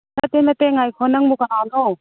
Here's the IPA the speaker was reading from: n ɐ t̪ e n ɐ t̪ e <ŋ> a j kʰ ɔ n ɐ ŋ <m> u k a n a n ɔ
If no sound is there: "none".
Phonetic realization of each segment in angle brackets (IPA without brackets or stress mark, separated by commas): ŋ, m